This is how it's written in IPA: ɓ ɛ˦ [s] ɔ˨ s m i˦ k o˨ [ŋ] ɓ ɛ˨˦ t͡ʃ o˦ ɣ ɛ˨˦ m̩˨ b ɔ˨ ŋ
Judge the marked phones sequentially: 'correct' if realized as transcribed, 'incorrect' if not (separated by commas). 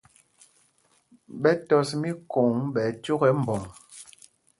incorrect, correct